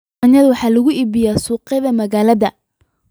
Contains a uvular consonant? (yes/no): yes